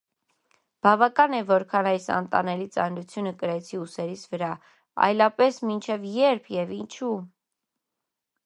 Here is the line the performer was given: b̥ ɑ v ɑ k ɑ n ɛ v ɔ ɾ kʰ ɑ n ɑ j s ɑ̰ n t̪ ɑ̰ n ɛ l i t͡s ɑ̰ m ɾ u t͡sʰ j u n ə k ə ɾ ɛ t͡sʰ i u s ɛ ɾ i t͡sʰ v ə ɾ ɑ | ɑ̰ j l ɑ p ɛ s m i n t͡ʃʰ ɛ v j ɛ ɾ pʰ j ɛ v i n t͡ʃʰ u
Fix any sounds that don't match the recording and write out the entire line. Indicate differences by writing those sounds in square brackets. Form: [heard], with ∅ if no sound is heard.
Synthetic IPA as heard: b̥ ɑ v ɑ k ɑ n ɛ v ɔ ɾ kʰ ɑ n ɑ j s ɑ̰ n t̪ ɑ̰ n ɛ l i t͡s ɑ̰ [n] ɾ u t͡sʰ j u n ə k ə ɾ ɛ t͡sʰ i u s ɛ ɾ i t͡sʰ v ə ɾ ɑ | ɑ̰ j l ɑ p ɛ s m i n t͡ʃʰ ɛ v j ɛ ɾ pʰ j ɛ v i n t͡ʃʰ u